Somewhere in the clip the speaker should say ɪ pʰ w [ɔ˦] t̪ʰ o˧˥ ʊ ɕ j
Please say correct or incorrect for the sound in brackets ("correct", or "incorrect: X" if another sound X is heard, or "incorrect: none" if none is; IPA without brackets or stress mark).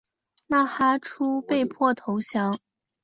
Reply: incorrect: ɔ˥˩